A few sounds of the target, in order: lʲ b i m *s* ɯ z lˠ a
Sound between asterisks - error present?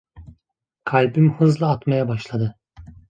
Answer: yes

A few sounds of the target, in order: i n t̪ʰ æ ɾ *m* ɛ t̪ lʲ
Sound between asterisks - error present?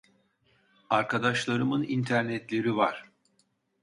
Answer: yes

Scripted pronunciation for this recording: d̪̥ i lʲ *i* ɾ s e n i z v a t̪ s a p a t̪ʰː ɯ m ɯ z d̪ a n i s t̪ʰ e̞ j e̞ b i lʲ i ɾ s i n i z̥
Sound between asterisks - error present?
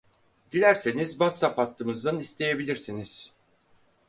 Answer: yes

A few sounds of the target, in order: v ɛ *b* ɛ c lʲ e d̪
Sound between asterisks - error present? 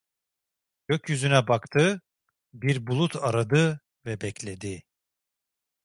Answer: no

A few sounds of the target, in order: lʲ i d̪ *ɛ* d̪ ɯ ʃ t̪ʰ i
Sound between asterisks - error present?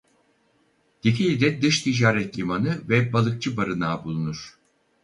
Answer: no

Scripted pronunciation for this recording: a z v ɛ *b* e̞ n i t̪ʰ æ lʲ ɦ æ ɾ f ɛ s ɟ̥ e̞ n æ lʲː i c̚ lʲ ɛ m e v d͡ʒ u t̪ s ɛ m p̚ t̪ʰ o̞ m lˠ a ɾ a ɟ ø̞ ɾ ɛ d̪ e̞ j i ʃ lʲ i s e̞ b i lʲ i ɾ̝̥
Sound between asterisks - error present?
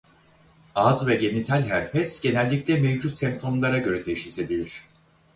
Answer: yes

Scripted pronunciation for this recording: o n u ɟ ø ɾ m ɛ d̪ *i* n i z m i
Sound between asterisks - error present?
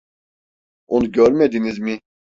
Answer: no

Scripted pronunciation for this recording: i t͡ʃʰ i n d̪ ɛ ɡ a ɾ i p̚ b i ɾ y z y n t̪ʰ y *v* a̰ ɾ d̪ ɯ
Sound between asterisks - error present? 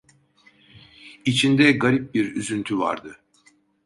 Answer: no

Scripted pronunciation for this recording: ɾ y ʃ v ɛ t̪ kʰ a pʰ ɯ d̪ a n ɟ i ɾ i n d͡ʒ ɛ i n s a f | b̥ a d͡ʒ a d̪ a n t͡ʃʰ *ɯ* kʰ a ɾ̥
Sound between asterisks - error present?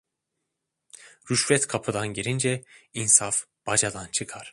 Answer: no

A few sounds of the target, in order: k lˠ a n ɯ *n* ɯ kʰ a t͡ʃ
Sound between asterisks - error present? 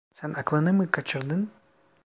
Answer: yes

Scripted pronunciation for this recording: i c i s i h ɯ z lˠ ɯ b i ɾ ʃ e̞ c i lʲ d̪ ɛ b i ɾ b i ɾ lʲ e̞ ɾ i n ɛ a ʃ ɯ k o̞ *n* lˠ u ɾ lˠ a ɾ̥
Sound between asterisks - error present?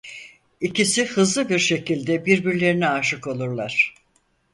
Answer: yes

